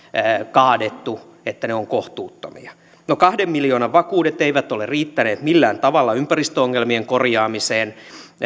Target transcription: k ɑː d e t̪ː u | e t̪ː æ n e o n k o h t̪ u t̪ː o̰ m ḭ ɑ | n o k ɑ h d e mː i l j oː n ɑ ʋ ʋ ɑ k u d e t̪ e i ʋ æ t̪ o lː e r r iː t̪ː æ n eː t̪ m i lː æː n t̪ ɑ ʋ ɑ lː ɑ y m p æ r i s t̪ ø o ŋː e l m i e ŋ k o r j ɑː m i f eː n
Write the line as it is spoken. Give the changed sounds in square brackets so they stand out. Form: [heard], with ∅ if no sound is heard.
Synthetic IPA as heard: k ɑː d e t̪ː u | e t̪ː æ n e o [ŋ] k o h t̪ [uː] t̪ː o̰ m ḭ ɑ | n o k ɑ h d e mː i l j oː n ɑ ʋ ʋ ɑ k [uː] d e t̪ e i ʋ æ t̪ o [l] e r r iː t̪ː æ n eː t̪ m i lː æː n t̪ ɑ ʋ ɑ lː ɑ y m p æ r i s t̪ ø o ŋː e l m i e ŋ k o r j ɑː m i [s] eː n